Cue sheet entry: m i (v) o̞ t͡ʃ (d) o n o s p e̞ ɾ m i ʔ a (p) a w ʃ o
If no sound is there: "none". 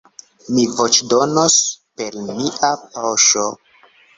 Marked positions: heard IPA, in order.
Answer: v, d, p

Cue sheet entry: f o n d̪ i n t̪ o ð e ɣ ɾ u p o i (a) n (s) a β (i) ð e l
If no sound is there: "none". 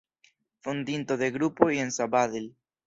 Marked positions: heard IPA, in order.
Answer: e, s, a

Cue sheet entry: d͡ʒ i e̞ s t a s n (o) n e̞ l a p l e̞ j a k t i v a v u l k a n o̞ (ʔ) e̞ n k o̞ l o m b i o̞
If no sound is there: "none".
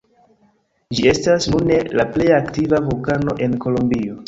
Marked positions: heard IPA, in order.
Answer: u, ʔ

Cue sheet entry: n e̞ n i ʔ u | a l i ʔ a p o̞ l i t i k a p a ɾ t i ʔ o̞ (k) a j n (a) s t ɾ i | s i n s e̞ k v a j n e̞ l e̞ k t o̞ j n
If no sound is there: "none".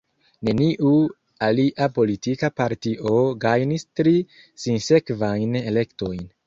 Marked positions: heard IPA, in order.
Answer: ɡ, i

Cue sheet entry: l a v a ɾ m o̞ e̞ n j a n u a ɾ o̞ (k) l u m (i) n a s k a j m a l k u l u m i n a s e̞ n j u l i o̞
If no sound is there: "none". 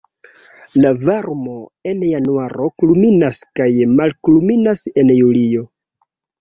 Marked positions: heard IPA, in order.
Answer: k, i

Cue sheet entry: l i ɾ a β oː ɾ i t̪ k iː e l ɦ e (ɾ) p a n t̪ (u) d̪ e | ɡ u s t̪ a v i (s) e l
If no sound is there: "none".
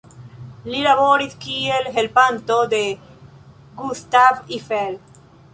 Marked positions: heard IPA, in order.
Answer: l, o, f

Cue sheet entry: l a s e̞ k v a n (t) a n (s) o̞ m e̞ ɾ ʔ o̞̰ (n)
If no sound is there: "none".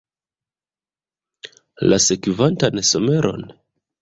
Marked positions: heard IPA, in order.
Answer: t, s, n

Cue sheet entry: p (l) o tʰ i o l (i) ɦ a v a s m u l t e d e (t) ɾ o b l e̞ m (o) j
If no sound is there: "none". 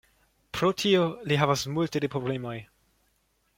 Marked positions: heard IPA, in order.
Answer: ɾ, i, p, o

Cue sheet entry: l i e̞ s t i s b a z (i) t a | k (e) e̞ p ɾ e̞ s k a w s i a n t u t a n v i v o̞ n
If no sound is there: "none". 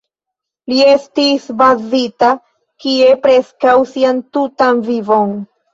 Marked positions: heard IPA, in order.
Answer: i, i

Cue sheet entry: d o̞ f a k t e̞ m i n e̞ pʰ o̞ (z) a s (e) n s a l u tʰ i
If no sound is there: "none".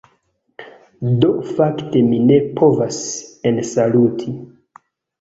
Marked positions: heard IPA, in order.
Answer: v, e

